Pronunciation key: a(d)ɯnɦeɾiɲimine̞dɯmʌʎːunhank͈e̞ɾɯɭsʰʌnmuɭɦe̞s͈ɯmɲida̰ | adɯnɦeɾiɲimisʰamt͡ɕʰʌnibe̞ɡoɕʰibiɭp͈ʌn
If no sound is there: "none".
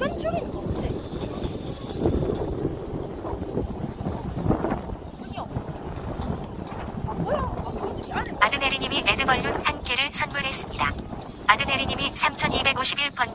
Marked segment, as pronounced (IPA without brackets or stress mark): d